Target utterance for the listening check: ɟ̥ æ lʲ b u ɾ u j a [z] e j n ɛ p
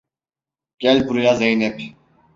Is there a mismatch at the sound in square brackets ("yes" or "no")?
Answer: no